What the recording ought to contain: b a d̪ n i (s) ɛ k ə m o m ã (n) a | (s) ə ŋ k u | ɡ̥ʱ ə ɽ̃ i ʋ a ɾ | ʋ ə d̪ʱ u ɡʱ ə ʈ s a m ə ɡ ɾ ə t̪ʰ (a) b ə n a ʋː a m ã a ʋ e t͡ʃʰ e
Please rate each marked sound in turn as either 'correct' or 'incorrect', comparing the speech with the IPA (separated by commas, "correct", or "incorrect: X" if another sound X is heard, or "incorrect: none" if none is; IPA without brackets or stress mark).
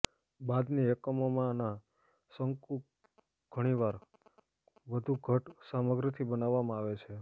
incorrect: none, correct, correct, incorrect: i